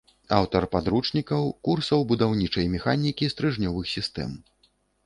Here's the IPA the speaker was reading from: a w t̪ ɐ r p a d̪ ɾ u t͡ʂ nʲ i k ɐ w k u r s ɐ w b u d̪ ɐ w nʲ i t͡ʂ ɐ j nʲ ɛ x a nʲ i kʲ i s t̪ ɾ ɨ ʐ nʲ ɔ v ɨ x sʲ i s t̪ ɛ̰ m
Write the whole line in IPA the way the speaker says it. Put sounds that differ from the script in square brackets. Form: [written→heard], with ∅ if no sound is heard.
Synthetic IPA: a w t̪ ɐ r p a d̪ ɾ u t͡ʂ nʲ i k ɐ w k u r s ɐ w b u d̪ [ɐ→a] w nʲ i t͡ʂ ɐ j [nʲ→mʲ] ɛ x a nʲ i kʲ i s t̪ ɾ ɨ ʐ nʲ ɔ v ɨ x sʲ i s t̪ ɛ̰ m

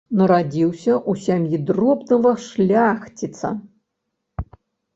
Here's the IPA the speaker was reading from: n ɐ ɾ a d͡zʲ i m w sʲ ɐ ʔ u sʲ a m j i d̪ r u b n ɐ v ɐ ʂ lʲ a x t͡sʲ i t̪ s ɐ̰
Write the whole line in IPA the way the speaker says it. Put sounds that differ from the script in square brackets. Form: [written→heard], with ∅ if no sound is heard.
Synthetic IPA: n ɐ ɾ a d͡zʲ i [m→∅] w sʲ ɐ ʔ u sʲ a m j i d̪ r [u→ɔ] b n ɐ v ɐ ʂ lʲ a x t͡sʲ i t̪ s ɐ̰

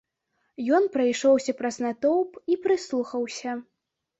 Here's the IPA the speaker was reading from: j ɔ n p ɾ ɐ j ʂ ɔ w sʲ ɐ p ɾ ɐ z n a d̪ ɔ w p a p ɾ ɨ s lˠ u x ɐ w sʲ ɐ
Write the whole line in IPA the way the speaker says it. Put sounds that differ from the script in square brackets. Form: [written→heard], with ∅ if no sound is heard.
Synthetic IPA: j ɔ n p ɾ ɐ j ʂ ɔ w sʲ ɐ p ɾ ɐ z n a [d̪→t̪] ɔ w p [a→i] p ɾ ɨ s lˠ u x ɐ w sʲ ɐ

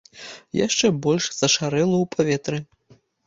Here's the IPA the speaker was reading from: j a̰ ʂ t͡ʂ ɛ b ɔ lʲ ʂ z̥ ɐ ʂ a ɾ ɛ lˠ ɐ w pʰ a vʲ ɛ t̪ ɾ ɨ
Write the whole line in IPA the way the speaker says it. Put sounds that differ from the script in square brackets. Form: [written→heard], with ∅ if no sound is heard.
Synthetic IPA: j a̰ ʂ t͡ʂ ɛ b ɔ lʲ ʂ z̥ ɐ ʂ a ɾ ɛ lˠ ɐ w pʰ a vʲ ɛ t̪ ɾ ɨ

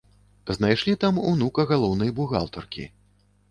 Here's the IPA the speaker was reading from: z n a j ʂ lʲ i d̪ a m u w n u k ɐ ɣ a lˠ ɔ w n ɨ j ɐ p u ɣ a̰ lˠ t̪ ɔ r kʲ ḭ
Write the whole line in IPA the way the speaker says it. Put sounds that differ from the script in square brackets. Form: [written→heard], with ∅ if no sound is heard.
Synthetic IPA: z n a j ʂ lʲ i [d̪→t̪] a m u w n u k ɐ ɣ a lˠ ɔ w n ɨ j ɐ [p→b] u ɣ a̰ lˠ t̪ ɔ r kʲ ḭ

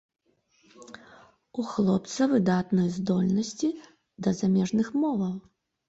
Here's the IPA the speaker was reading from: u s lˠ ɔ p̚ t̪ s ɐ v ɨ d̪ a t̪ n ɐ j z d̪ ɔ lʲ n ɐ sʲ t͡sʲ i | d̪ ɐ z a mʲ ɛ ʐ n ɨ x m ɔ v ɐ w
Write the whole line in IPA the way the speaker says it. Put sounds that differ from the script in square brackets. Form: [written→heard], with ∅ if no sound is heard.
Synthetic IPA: u [s→x] lˠ ɔ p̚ t̪ s ɐ v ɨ d̪ a t̪ n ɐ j z d̪ ɔ lʲ n ɐ sʲ t͡sʲ i | d̪ ɐ z a mʲ ɛ ʐ n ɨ x m ɔ v ɐ w

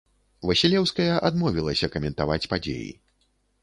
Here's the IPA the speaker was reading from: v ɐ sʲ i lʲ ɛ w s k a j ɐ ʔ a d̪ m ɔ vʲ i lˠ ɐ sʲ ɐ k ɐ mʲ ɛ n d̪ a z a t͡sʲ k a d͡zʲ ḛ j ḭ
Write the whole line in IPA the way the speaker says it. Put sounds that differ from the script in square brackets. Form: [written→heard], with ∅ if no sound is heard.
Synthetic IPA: v ɐ sʲ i lʲ ɛ w s k [a→ɐ] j ɐ ʔ a d̪ m ɔ vʲ i lˠ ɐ sʲ ɐ k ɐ mʲ ɛ n [d̪→t̪] a [z→v] a t͡sʲ [k→p] a d͡zʲ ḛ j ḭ

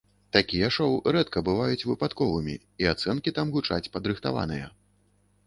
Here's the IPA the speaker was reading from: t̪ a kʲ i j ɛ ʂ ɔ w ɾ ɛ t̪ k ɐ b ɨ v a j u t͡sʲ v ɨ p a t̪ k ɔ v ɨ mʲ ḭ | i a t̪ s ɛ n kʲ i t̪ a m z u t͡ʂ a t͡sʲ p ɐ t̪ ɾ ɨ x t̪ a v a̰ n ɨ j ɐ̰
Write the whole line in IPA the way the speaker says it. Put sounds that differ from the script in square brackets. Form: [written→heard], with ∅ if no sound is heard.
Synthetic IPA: t̪ a kʲ i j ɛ ʂ ɔ w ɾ ɛ t̪ k ɐ b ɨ v a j u t͡sʲ v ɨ p a t̪ k ɔ v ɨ mʲ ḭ | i a t̪ s ɛ n kʲ i t̪ a m [z→ɣ] u t͡ʂ a t͡sʲ p ɐ [t̪→d̪] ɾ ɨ x t̪ a v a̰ n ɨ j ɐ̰

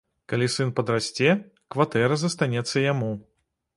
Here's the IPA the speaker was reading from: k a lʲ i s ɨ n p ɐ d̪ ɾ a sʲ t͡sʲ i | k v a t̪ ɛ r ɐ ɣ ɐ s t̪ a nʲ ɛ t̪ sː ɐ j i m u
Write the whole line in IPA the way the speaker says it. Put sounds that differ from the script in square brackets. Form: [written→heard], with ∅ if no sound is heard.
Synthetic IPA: k a lʲ i s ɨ n p ɐ d̪ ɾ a sʲ t͡sʲ [i→ɛ] | k v a t̪ ɛ [r→ɾ] ɐ [ɣ→z] ɐ s t̪ a nʲ ɛ t̪ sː ɐ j [i→a] m u

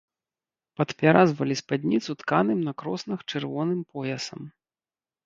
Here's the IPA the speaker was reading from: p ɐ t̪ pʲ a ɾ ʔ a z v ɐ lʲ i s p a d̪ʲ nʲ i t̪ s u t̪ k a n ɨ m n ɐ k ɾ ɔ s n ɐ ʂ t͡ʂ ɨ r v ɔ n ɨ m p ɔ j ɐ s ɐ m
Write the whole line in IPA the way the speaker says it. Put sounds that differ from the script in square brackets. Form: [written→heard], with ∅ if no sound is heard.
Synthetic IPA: p ɐ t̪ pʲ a ɾ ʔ a z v ɐ lʲ i s p a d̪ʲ nʲ i t̪ s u t̪ k a n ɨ m n ɐ k ɾ ɔ s n ɐ [ʂ→x] t͡ʂ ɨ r v ɔ n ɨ m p ɔ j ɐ s ɐ m

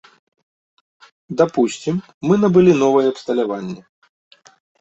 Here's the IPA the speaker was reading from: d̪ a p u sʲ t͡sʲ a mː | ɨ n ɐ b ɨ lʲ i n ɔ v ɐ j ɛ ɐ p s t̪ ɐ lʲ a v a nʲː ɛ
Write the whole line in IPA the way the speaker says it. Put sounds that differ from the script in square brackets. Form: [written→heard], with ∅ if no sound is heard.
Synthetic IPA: d̪ a p u sʲ t͡sʲ [a→i] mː | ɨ n ɐ b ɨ lʲ i n ɔ v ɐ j ɛ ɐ p s t̪ ɐ lʲ a v a nʲː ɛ

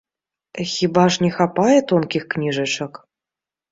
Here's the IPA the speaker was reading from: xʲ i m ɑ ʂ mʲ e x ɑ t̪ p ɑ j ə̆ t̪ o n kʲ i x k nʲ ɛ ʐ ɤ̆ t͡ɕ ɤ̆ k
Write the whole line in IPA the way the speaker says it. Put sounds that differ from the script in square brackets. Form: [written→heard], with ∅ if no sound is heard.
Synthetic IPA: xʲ i [m→b] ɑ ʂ [mʲ→nʲ] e x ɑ [t̪→∅] p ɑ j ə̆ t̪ o n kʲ i x k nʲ [ɛ→i] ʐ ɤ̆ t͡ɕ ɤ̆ k

